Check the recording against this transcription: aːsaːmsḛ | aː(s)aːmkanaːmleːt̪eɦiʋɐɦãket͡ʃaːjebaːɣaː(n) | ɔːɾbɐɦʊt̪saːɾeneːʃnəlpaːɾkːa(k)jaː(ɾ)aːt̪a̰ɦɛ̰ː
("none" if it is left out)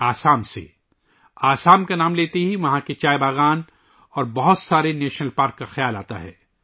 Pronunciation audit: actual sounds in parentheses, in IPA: s, n, x, l

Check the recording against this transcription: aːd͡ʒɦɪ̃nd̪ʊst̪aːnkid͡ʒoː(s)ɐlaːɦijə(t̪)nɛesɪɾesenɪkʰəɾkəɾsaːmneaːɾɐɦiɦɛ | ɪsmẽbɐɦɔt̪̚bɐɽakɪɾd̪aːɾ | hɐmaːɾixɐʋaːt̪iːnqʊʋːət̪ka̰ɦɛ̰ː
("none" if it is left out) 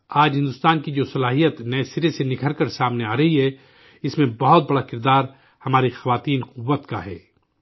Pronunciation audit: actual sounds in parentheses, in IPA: s, t̪

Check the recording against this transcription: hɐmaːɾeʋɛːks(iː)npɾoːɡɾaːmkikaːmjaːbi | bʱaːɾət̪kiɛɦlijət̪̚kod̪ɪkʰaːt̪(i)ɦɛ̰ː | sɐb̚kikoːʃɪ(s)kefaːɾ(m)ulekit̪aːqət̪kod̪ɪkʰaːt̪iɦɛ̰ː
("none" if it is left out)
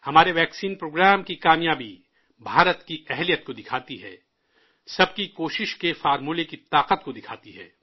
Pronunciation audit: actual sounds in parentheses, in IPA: iː, i, ʃ, m

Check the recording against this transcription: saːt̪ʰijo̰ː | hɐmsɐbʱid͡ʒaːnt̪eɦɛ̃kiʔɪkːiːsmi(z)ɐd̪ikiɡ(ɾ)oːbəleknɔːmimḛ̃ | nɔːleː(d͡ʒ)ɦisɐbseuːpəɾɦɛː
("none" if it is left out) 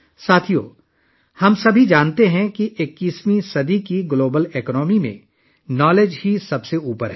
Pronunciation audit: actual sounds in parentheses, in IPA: s, l, d͡ʒ

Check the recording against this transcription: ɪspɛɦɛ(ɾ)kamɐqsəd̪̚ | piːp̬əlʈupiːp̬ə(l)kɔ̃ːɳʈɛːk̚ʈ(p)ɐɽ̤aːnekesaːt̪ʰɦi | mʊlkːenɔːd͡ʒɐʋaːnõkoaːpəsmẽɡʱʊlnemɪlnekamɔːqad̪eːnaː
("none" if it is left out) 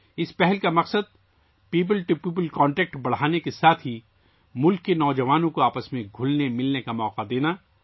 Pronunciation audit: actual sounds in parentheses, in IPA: l, l, b

